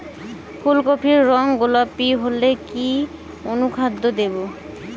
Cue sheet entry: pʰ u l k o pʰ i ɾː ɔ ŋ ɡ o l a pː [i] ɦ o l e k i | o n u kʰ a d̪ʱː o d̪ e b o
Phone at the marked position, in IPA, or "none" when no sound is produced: i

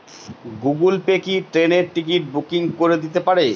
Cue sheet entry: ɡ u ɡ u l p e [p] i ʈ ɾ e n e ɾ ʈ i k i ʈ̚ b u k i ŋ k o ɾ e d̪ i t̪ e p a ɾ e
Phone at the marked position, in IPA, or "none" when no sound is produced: k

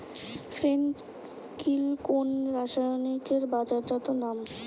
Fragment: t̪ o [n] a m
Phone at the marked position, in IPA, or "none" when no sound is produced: n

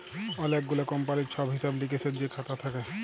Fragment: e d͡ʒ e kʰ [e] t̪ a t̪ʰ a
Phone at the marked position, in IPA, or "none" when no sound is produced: a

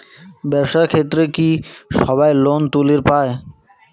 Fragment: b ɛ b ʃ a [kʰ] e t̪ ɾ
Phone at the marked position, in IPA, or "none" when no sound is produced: kʰ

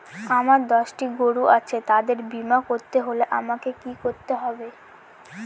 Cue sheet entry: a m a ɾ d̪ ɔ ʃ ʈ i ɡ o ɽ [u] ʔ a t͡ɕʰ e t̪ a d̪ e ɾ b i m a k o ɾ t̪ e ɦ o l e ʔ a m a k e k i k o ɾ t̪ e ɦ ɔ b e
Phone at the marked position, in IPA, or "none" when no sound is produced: u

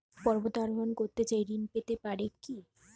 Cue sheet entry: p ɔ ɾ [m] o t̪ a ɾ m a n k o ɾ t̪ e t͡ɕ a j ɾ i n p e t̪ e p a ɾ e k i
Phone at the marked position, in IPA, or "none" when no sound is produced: b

